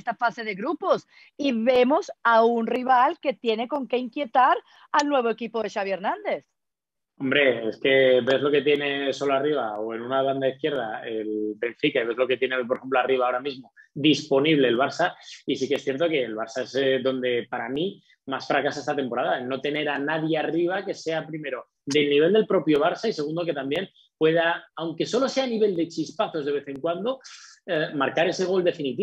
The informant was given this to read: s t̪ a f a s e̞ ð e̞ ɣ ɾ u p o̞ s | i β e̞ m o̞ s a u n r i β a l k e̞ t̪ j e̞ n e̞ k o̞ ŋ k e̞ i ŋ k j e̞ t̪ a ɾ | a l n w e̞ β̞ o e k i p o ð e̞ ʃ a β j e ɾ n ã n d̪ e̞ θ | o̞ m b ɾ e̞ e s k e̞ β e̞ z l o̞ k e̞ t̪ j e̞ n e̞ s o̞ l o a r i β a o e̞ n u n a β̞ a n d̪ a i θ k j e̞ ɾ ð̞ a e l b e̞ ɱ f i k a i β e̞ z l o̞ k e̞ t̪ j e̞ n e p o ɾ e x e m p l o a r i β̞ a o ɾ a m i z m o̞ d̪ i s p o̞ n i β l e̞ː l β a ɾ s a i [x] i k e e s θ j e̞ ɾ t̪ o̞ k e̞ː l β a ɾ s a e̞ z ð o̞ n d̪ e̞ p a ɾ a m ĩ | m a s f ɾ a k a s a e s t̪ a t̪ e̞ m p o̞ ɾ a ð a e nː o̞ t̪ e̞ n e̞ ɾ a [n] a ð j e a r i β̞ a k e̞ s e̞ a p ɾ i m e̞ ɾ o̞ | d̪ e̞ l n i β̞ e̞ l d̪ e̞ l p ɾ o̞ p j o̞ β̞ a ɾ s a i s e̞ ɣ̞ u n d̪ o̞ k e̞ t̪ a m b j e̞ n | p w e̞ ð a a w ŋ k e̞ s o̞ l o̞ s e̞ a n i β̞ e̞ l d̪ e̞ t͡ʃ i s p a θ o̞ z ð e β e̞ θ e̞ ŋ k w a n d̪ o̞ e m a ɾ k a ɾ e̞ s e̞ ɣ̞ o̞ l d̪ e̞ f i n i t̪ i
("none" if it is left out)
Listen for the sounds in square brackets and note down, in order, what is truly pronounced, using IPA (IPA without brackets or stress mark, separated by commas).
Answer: s, n